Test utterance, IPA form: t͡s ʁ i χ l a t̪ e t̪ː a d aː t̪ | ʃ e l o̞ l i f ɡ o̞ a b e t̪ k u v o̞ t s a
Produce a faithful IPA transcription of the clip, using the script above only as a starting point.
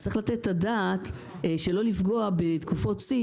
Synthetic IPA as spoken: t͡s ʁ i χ l a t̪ e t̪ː a d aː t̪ | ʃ e l o̞ l i f ɡ o̞ a b e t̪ k u f o̞ t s i